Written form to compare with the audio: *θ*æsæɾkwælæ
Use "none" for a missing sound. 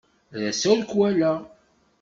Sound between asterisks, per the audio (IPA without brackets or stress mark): ð